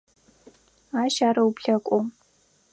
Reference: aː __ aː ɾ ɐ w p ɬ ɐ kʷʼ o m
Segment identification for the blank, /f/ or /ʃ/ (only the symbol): ʃ